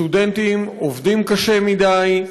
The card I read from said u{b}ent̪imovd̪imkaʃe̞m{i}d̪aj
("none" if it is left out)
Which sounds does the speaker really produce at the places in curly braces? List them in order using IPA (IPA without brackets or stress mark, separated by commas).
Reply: d, i